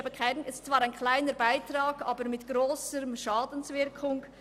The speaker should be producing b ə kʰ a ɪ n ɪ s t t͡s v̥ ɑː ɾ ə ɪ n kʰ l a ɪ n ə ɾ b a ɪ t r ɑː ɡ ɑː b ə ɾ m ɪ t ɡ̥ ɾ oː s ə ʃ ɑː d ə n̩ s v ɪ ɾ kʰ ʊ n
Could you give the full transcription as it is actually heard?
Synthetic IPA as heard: b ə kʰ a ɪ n ɪ s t t͡s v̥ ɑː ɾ a ɪ n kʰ l a ɪ n ə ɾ b a ɪ t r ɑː ɡ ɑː b ə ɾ m ɪ t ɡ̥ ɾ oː s ə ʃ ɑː d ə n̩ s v ɪ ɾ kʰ ʊ ŋ